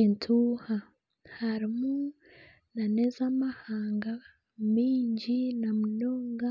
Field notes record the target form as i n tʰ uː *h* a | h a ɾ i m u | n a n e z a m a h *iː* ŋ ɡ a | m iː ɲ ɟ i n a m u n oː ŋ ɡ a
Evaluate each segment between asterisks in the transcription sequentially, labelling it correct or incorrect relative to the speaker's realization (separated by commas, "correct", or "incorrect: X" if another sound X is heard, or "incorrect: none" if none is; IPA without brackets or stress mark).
correct, incorrect: aː